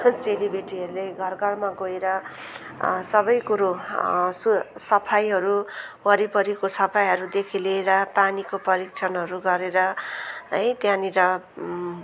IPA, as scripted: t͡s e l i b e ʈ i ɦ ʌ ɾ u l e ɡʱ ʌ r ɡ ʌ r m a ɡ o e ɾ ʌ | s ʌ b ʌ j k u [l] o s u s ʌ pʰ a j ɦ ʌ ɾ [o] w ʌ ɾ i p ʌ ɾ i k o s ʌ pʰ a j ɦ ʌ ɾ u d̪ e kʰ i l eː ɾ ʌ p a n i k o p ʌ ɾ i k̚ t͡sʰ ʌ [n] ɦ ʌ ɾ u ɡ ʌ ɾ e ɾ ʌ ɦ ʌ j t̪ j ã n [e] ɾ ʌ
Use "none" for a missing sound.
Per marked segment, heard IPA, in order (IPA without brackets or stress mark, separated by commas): ɾ, u, n, i